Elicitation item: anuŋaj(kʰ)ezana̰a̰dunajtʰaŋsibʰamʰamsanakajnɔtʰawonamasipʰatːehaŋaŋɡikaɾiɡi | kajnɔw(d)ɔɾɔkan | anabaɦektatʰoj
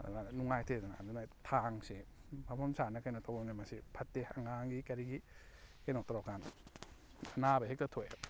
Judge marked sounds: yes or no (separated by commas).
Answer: no, no